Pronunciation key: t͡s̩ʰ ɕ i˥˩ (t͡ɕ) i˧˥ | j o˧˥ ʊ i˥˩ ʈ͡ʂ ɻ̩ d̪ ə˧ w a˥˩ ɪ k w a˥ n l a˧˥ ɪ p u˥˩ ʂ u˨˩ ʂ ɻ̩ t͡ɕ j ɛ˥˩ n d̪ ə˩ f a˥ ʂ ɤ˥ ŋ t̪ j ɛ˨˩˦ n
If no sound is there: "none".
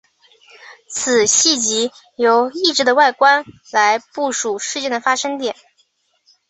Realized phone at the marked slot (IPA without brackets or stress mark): t͡ɕ